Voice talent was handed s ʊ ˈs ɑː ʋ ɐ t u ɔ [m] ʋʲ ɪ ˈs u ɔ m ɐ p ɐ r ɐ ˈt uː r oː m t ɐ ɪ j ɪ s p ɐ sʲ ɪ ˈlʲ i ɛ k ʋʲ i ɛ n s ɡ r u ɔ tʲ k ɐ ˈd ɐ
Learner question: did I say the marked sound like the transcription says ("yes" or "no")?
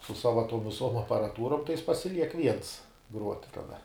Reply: yes